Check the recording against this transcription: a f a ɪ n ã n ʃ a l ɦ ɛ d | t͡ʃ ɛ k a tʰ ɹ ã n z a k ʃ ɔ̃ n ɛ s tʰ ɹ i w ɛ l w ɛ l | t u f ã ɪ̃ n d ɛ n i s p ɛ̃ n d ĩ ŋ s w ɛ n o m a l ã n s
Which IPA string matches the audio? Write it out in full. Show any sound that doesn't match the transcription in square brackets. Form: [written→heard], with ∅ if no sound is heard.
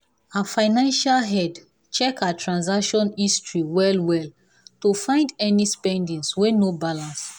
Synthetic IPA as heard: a f a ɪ n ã n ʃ a l ɦ ɛ d | t͡ʃ ɛ k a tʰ ɹ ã n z a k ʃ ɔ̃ n [ɛ→i] s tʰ ɹ i w ɛ l w ɛ l | t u f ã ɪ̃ n d ɛ n i s p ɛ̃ n d ĩ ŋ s w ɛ n o [m→b] a l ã n s